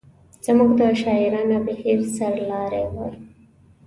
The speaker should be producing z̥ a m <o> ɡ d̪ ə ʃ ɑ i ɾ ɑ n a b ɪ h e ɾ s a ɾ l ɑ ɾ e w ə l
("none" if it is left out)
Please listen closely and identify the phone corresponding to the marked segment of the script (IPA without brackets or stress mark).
u